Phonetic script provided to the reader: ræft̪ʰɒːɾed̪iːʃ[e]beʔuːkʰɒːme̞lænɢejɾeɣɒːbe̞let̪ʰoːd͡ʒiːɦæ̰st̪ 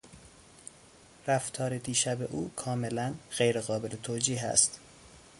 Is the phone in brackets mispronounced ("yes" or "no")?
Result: yes